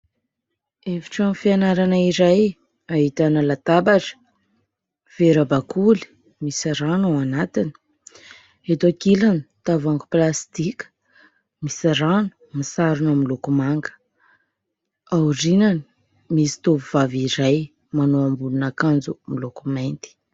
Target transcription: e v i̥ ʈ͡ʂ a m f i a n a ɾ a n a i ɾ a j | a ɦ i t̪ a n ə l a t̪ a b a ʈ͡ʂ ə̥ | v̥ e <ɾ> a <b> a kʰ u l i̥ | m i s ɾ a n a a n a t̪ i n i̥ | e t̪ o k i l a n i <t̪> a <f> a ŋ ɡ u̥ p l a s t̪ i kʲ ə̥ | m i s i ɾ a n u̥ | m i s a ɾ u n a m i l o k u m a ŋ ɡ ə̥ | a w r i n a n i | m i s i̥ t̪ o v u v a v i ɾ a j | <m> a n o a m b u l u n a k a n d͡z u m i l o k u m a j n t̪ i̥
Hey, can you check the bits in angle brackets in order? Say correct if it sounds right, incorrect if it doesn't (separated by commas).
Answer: correct, correct, correct, incorrect, correct